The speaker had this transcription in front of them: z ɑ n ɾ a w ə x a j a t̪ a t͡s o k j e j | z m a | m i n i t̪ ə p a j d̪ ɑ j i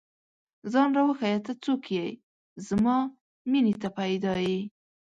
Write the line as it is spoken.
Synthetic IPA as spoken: z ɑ n ɾ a w ə x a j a t̪ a t͡s o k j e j | z m ɑ | m i n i t̪ a p a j d̪ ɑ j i